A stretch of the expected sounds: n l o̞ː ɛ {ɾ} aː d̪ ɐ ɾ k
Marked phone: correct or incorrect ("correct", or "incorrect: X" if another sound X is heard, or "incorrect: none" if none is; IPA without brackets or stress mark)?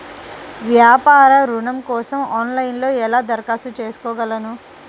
incorrect: l